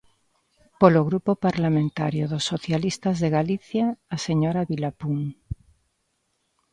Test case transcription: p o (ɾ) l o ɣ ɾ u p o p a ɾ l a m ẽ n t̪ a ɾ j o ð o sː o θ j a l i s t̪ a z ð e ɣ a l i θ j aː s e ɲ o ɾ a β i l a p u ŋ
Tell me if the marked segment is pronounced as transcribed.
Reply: no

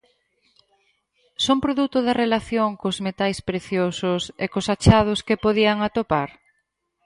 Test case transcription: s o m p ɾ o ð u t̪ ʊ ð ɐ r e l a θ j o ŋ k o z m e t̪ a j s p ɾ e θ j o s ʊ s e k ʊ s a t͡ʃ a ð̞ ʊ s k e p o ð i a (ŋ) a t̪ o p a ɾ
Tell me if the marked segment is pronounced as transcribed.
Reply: yes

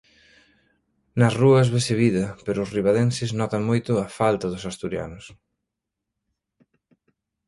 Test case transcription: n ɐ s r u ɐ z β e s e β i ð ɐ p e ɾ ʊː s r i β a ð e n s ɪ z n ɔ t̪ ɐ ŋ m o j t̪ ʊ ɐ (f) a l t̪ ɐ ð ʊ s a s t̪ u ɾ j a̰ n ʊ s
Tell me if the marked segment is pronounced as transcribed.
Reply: yes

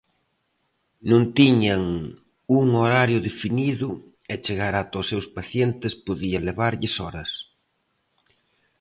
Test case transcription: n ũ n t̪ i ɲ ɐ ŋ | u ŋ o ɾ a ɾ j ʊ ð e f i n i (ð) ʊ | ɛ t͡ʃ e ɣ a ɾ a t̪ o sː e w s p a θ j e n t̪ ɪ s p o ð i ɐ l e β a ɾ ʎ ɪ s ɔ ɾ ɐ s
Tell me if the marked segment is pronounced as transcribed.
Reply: yes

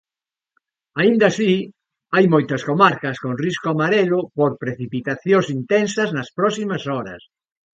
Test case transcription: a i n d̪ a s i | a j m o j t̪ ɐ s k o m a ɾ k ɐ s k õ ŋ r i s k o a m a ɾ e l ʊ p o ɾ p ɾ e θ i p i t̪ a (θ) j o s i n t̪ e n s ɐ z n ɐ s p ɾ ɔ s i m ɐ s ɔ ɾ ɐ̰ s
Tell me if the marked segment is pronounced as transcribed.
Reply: yes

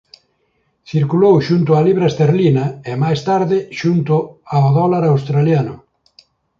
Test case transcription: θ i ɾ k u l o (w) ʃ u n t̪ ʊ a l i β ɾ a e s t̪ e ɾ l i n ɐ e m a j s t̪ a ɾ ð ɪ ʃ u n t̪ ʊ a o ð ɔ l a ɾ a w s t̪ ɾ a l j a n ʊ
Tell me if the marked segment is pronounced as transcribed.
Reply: yes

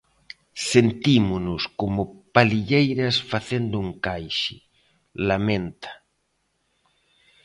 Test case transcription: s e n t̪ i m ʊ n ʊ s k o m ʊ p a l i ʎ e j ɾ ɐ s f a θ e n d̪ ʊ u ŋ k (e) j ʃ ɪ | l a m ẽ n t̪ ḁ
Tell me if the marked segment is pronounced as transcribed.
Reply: no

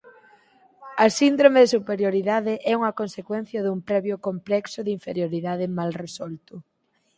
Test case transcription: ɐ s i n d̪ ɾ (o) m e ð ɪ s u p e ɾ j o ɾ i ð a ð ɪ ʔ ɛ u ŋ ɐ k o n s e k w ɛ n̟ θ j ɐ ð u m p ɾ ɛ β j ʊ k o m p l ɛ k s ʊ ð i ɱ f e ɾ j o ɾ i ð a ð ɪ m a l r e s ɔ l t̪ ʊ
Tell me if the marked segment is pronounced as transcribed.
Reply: yes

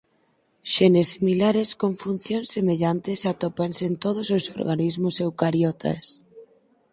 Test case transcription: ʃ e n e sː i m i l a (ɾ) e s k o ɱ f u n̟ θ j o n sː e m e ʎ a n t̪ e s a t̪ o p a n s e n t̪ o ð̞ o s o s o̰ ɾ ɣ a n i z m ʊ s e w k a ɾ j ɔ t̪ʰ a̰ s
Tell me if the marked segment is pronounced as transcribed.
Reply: yes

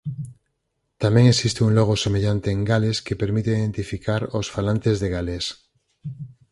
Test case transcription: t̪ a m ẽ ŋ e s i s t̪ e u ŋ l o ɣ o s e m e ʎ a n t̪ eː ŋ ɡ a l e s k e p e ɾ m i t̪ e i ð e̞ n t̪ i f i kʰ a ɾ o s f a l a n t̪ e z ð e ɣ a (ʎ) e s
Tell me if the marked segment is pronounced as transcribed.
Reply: no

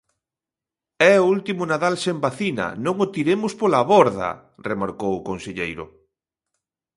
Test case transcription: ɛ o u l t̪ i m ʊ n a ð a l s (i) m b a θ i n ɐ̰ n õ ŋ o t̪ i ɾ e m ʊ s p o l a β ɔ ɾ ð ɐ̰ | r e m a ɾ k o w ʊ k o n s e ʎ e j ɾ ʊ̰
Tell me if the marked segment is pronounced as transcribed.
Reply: no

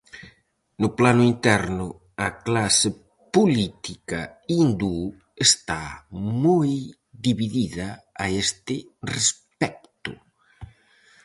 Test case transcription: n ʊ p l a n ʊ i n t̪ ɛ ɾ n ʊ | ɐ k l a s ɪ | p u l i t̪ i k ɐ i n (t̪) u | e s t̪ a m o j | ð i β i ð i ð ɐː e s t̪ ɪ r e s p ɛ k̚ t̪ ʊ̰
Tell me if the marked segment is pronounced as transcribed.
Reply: no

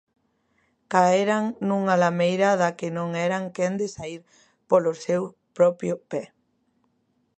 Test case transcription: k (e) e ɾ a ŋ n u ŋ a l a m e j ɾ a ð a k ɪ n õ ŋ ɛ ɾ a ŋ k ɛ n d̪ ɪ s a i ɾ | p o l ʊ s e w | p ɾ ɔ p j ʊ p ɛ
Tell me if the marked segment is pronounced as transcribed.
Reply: no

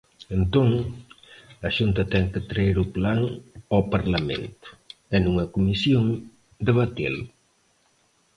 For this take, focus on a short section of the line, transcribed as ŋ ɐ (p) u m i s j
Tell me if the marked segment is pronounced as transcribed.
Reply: no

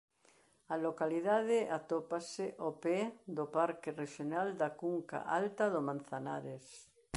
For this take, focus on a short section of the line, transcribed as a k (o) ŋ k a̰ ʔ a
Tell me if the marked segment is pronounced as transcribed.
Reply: no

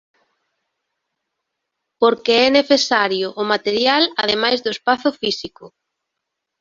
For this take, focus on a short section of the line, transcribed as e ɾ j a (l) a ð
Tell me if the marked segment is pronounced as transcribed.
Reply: yes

